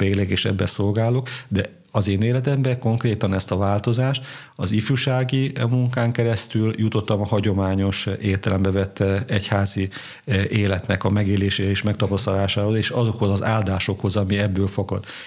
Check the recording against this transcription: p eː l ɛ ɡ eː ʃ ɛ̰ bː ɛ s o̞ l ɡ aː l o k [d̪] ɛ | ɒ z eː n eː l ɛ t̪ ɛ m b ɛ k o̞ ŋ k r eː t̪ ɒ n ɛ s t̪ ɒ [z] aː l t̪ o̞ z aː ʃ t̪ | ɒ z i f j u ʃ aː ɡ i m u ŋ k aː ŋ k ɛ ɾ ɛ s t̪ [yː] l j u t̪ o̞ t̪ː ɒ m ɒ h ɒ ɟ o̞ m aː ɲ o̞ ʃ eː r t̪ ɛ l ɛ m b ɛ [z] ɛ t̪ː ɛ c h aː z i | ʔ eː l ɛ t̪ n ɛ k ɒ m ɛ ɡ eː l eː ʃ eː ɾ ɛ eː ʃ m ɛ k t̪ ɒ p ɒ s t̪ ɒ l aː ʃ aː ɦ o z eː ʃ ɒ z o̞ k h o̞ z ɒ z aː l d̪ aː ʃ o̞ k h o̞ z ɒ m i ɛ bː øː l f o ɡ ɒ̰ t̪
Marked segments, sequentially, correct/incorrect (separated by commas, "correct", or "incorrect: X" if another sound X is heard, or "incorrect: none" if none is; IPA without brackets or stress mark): correct, incorrect: v, incorrect: y, incorrect: v